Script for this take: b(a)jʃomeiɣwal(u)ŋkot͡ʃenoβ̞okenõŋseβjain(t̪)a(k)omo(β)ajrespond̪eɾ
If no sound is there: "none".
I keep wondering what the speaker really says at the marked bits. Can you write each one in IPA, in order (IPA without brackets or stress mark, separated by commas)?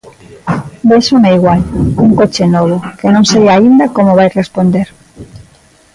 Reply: e, u, d̪, k, β